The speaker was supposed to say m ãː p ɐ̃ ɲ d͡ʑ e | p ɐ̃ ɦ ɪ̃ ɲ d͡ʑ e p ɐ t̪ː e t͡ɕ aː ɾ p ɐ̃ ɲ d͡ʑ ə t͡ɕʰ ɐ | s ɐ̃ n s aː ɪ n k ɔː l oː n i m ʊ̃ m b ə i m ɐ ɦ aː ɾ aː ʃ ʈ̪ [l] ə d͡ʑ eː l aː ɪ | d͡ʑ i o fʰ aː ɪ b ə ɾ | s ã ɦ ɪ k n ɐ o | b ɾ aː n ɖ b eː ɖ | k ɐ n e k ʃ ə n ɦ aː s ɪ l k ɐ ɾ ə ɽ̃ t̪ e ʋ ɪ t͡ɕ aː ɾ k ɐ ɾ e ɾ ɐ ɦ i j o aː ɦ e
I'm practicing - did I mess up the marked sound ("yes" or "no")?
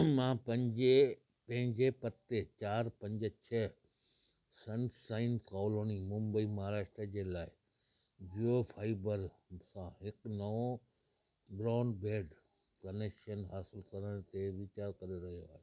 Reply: yes